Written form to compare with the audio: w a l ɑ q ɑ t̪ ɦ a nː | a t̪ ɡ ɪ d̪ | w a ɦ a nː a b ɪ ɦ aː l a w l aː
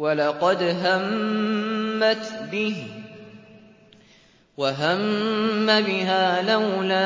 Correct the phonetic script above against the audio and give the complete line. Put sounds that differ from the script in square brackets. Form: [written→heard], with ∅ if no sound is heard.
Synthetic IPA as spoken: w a l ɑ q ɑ [t̪→d̪] ɦ a [nː→mː] | a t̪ [ɡ→b] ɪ [d̪→∅] | w a ɦ a [nː→mː] a b ɪ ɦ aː l a w l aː